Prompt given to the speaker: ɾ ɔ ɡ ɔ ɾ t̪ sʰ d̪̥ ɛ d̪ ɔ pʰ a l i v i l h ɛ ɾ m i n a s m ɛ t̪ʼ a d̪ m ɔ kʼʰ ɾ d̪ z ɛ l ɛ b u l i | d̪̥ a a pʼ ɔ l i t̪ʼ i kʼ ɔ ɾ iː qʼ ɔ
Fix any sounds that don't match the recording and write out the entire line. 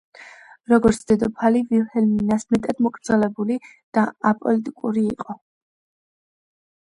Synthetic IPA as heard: ɾ ɔ ɡ ɔ ɾ t̪ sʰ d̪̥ ɛ d̪ ɔ pʰ a l i v i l h ɛ l m i n a s m ɛ t̪ʼ a d̪ m ɔ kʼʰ ɾ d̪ z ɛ l ɛ b u l i | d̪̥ a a pʼ ɔ l i t̪ʼ i kʼ u ɾ iː qʼ ɔ